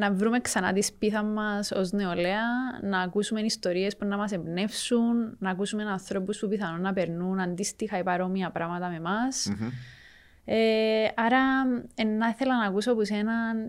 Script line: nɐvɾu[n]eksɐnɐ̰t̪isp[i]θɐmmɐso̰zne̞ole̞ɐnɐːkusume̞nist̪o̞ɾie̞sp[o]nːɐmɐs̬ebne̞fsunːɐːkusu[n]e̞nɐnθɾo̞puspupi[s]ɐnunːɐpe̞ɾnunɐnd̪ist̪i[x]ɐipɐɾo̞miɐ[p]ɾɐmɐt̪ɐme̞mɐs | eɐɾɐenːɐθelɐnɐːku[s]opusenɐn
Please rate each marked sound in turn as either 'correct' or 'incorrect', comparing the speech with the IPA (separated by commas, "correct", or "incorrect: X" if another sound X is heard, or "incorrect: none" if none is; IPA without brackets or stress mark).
incorrect: m, correct, incorrect: u, incorrect: m, incorrect: θ, correct, correct, correct